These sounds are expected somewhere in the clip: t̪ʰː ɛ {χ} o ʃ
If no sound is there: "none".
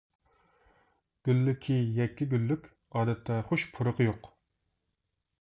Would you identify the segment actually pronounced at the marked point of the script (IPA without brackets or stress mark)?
χ